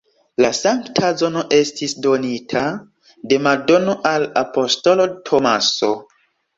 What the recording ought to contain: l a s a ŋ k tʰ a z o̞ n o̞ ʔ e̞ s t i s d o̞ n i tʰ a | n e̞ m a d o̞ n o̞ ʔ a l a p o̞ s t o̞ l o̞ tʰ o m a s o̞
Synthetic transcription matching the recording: l a s a ŋ k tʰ a z o̞ n o̞ ʔ e̞ s t i s d o̞ n i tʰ a | d e̞ m a d o̞ n o̞ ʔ a l a p o̞ s t o̞ l o̞ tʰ o m a s o̞